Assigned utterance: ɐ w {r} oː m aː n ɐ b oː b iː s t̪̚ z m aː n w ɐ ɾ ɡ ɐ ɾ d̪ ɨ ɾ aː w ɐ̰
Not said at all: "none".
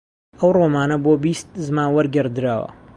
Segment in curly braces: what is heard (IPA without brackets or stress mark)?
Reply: r